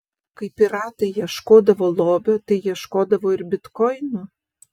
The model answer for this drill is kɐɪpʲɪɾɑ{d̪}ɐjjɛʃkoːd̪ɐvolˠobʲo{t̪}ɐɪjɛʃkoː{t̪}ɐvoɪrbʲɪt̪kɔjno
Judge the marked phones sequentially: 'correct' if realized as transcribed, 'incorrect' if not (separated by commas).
incorrect, correct, incorrect